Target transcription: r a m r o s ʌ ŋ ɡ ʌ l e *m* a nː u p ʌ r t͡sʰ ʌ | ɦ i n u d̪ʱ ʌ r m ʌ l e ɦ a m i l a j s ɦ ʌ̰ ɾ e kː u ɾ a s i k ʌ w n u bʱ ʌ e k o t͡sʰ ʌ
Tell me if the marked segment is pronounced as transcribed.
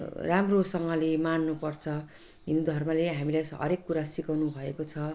yes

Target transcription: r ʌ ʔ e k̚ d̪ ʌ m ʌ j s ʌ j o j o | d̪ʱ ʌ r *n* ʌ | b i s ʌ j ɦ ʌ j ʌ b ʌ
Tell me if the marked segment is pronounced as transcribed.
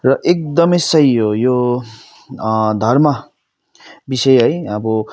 no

